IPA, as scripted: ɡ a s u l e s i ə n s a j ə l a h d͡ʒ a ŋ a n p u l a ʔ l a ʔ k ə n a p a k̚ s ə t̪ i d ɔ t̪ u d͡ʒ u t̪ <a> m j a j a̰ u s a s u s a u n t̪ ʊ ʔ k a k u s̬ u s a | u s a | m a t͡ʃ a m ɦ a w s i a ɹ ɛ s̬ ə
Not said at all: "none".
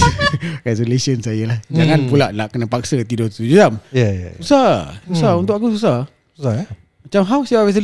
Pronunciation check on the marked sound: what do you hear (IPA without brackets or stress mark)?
a